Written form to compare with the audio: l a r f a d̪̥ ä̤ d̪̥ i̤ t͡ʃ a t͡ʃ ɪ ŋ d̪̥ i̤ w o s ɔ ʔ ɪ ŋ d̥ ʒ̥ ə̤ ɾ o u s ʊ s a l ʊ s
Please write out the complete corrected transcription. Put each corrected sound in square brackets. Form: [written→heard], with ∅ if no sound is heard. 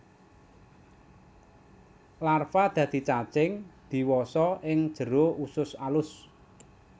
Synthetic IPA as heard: l a r f a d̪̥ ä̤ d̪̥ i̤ t͡ʃ a t͡ʃ ɪ ŋ d̪̥ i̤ w [o→ɔ] s ɔ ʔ ɪ ŋ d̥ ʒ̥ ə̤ ɾ o u s ʊ s a l ʊ s